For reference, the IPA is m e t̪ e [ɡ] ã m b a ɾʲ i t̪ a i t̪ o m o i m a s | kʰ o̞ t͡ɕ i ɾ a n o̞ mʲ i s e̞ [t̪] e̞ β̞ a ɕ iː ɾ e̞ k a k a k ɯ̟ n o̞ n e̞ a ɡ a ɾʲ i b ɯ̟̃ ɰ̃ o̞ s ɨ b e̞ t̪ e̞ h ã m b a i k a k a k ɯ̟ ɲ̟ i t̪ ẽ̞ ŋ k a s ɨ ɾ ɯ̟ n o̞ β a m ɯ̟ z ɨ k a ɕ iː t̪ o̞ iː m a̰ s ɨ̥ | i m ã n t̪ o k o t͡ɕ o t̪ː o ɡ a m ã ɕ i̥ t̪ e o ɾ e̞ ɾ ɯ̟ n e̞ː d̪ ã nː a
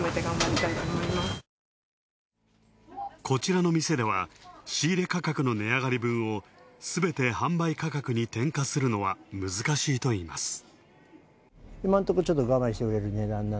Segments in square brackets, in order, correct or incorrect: correct, incorrect: d̪

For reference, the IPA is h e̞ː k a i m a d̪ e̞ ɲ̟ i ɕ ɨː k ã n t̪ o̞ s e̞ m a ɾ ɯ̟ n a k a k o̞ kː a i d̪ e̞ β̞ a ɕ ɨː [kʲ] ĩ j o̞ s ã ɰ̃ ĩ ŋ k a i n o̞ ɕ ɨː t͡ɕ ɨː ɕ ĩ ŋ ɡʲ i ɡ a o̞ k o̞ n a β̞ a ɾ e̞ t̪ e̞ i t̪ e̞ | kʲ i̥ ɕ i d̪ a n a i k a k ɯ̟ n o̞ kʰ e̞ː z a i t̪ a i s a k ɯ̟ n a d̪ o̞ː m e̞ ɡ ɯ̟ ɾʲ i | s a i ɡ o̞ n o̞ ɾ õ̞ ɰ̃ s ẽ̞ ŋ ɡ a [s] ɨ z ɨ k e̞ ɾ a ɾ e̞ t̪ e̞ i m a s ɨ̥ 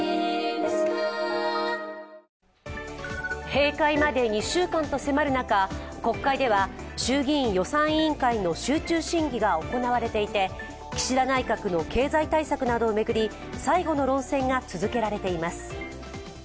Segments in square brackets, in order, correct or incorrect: incorrect: ɡʲ, incorrect: t͡s

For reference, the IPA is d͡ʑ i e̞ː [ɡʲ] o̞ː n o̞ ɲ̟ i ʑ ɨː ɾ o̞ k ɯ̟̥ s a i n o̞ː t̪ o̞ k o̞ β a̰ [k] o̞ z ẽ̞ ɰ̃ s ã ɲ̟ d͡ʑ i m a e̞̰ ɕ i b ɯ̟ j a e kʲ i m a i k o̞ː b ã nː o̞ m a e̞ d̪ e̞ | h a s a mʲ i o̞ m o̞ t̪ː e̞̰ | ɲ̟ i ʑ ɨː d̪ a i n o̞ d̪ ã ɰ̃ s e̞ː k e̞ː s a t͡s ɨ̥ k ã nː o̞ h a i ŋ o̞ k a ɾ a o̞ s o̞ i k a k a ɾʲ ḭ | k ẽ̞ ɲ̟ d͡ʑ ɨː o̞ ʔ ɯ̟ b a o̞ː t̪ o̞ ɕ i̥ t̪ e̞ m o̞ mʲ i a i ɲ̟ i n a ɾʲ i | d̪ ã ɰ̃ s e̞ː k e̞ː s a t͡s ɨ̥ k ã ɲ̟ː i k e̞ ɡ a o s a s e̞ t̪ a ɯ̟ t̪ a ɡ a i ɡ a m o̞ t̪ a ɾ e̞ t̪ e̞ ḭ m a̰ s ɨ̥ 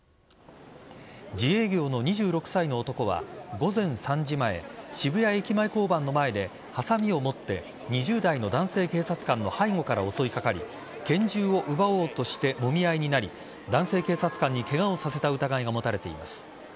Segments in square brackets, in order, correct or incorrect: correct, incorrect: ɡ

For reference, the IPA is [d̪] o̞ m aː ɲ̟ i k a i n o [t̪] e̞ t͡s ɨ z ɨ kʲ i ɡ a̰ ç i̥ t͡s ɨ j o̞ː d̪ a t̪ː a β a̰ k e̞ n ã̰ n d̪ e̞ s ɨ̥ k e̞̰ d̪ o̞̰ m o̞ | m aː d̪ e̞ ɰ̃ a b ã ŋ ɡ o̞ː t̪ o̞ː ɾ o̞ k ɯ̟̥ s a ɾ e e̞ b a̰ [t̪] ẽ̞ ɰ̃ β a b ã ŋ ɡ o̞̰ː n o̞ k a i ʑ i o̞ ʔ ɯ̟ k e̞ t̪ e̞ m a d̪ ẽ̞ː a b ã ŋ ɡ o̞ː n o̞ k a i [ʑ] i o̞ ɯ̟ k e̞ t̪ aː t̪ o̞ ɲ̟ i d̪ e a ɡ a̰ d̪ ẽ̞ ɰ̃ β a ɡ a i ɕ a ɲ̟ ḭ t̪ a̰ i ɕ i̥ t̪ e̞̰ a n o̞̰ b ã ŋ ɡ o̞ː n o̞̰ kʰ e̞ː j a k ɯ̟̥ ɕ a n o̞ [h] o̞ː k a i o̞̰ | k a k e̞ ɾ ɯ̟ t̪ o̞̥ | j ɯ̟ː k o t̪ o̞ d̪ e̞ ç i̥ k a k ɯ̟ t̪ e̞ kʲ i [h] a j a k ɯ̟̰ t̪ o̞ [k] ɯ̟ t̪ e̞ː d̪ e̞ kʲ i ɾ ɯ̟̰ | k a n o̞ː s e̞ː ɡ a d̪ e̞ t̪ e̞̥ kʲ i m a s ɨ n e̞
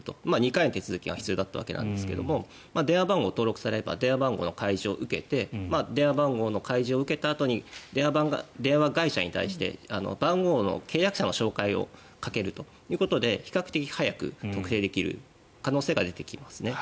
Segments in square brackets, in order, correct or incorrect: incorrect: t̪, correct, incorrect: d̪, correct, incorrect: ɕ, correct, correct

